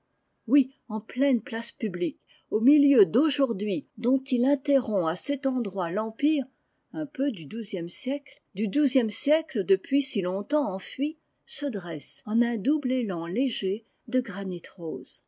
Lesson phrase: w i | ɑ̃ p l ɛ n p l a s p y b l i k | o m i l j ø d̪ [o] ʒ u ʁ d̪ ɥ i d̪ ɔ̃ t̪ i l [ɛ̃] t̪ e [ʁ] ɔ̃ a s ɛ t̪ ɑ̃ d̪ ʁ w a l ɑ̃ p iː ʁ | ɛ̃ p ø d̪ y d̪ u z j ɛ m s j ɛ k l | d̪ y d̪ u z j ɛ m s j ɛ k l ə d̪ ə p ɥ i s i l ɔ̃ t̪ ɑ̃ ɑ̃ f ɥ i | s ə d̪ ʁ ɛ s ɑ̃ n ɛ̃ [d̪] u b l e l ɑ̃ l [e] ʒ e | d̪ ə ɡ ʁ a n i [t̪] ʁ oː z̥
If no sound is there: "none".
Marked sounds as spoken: o, ɛ̃, ʁ, d̪, e, t̪

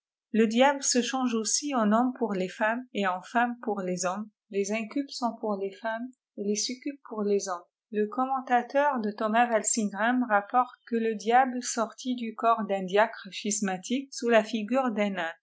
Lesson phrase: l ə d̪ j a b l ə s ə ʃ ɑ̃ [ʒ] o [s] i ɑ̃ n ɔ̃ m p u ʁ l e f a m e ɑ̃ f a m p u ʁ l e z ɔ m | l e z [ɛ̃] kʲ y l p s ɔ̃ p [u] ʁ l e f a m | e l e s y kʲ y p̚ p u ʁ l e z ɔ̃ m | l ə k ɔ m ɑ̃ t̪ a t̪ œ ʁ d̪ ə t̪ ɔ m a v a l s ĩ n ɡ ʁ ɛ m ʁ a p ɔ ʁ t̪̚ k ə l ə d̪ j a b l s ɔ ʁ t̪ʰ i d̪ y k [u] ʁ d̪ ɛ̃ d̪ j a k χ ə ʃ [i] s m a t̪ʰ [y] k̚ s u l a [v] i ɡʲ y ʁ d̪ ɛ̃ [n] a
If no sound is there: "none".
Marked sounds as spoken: ʒ, s, ɛ̃, u, ɔ, i, i, f, n

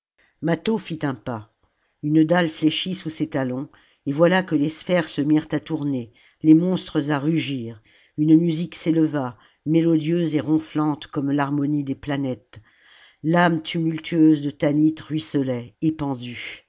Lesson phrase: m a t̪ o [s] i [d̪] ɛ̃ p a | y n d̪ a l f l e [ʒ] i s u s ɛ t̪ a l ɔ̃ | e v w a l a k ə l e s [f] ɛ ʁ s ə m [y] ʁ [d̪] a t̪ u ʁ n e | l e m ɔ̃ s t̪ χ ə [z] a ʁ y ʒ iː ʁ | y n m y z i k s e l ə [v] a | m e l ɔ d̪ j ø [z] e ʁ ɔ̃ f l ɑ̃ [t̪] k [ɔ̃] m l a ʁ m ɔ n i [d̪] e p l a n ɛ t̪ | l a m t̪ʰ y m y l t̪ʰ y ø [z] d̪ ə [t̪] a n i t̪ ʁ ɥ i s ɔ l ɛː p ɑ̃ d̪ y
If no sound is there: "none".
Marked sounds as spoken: f, t̪, ʃ, f, i, t̪, z, v, z, t̪, ɔ, d̪, z, t̪

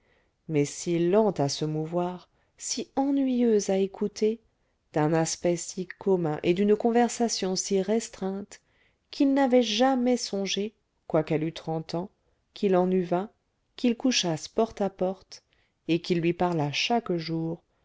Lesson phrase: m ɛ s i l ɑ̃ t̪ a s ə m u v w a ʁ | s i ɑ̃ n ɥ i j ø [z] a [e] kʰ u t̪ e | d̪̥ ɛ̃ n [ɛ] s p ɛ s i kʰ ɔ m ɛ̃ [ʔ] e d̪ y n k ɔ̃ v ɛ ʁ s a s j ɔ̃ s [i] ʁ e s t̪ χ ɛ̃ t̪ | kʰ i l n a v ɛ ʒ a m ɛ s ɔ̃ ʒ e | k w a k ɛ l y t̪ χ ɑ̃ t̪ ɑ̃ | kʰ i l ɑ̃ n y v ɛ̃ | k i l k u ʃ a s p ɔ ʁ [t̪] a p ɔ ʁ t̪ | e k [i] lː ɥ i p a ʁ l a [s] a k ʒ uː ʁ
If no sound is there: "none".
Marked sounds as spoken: z, e, a, ʔ, i, t̪, i, ʃ

